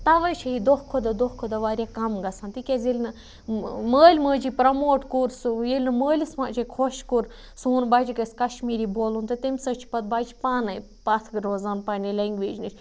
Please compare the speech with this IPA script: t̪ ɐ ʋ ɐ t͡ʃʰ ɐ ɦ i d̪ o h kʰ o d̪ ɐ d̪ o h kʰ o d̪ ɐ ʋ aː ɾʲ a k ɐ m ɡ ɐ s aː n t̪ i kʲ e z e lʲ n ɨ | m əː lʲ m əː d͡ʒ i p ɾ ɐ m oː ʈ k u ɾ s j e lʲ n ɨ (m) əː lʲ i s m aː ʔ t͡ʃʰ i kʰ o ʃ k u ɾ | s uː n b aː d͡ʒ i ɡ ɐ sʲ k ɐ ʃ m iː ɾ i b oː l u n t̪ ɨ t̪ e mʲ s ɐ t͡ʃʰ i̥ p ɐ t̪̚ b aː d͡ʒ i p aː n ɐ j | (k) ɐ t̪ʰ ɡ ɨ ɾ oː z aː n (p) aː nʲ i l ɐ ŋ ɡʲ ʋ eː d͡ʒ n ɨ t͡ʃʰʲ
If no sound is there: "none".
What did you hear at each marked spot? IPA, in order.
m, p, p

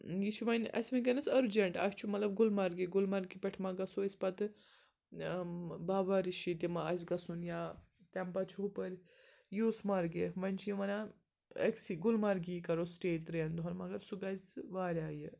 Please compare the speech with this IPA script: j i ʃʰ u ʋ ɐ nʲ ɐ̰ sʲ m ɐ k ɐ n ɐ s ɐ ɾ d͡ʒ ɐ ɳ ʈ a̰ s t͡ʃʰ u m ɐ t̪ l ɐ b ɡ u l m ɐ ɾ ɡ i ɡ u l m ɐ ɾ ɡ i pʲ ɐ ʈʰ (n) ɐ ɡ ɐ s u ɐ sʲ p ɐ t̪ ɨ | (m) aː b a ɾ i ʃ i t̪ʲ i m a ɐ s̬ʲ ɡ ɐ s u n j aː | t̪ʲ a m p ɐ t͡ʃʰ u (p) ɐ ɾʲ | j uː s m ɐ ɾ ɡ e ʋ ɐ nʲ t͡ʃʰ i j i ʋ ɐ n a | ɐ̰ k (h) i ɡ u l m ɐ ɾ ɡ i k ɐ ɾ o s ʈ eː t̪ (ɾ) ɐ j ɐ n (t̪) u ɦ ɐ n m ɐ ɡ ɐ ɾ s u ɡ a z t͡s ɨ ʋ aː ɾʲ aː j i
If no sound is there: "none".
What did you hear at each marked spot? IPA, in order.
m, b, p, s, ɾ, d̪

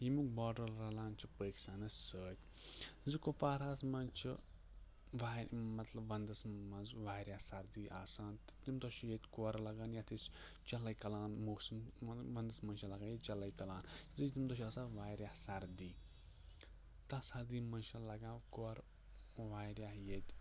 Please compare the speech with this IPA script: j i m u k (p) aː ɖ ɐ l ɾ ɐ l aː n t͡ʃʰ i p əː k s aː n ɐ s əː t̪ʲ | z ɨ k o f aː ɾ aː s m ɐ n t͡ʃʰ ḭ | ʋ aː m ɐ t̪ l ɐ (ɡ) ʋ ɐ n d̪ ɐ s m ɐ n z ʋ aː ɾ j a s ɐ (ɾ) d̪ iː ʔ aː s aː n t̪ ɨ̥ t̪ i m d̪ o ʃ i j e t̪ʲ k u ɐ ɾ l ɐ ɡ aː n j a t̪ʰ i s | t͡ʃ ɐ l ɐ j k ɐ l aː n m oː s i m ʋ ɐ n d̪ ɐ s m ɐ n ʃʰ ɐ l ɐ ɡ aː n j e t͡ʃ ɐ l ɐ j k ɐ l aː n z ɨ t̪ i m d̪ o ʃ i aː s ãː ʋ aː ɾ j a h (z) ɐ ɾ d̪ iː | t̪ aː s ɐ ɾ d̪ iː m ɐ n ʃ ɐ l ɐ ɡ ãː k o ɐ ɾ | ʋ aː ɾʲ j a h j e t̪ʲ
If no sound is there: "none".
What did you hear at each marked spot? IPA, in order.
b, b, ɾ, s

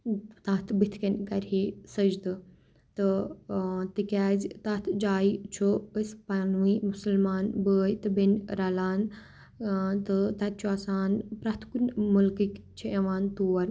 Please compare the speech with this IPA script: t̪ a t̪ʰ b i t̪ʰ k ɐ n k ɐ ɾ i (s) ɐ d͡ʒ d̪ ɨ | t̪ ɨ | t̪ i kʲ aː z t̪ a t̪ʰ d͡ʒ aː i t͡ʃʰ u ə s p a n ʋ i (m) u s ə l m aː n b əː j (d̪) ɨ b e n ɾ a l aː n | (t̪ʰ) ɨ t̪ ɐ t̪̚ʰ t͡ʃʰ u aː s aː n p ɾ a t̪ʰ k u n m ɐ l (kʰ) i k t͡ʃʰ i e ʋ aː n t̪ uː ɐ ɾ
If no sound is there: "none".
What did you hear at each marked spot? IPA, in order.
s, m, t̪, t̪, k

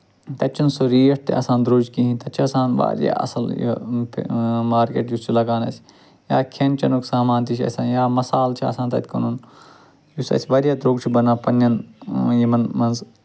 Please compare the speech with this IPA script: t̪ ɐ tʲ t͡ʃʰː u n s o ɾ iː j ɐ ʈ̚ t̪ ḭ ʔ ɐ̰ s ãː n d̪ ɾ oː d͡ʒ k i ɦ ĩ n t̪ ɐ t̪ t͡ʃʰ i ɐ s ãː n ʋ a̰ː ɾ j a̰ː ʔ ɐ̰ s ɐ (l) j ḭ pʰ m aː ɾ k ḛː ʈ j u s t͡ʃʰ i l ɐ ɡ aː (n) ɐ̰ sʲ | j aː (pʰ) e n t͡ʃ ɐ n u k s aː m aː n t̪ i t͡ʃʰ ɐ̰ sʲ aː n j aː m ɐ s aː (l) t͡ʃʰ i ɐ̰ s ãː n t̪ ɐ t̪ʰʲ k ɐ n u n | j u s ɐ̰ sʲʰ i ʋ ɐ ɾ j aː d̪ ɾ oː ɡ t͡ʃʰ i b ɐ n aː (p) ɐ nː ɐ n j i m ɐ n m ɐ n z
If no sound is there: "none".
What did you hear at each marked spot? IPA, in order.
l, n, kʰ, l, p

